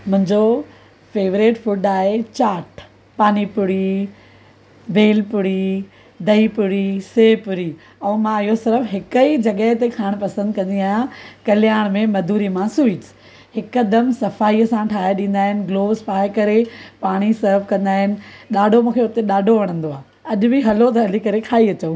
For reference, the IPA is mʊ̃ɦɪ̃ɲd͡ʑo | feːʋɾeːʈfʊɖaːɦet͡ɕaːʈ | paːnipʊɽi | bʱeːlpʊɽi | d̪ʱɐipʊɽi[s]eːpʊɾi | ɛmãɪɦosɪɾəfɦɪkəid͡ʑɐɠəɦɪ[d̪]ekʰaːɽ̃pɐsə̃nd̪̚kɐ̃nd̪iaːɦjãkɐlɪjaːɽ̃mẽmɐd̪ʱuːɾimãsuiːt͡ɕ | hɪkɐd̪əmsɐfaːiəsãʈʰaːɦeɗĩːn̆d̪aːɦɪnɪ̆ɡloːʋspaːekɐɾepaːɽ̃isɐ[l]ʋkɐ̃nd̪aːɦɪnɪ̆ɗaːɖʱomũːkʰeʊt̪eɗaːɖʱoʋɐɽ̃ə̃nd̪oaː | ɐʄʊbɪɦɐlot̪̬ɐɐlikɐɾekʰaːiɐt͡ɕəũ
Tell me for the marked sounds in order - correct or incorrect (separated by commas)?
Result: correct, incorrect, incorrect